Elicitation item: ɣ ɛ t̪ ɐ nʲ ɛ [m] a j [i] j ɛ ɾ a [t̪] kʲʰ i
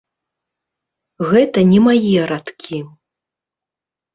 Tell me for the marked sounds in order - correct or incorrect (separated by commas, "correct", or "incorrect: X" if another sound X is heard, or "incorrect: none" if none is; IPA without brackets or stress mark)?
correct, correct, correct